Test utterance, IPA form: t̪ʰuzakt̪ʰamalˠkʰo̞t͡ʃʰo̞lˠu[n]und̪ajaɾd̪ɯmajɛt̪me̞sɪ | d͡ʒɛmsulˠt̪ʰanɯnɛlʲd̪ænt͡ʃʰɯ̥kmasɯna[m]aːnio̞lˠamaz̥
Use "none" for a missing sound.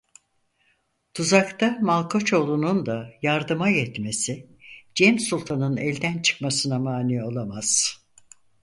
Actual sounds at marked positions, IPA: n, m

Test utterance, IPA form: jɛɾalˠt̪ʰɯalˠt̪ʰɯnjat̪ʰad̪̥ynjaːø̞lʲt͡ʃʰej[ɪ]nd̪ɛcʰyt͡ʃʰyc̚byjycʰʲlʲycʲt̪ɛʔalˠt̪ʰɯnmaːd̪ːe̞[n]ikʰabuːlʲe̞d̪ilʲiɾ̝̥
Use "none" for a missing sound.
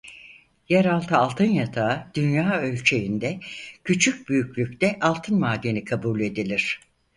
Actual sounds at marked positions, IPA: i, n

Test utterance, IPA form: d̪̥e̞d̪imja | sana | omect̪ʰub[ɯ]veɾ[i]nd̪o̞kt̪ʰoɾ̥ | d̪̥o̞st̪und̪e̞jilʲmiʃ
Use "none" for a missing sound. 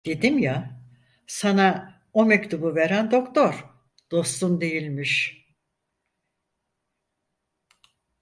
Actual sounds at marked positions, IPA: u, æ

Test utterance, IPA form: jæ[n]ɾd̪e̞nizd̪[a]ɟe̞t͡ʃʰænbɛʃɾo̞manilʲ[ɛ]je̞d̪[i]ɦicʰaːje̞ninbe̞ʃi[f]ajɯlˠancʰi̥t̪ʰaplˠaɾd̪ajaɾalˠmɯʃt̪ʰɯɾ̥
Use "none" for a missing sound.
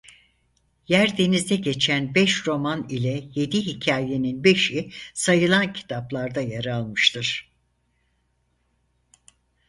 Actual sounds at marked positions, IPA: none, ɛ, ɛ, i, s

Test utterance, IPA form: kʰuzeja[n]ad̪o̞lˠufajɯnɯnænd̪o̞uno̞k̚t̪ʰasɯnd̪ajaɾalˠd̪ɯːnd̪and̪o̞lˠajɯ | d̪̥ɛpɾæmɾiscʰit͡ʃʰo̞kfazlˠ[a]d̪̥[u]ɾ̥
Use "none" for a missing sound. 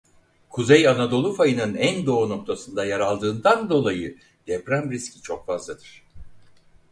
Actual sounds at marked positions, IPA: n, a, ɯ

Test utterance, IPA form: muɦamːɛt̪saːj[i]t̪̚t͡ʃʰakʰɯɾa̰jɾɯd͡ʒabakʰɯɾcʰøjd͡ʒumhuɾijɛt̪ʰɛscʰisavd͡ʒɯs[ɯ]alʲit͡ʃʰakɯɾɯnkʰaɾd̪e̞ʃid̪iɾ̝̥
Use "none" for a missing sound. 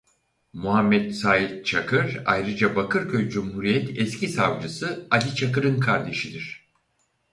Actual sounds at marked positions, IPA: i, ɯ

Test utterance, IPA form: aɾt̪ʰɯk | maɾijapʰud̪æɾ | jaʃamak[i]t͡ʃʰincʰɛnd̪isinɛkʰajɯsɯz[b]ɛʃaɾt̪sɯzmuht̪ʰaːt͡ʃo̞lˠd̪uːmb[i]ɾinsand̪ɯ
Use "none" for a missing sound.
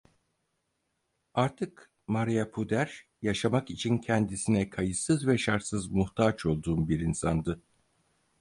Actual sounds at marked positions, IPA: i, v, i

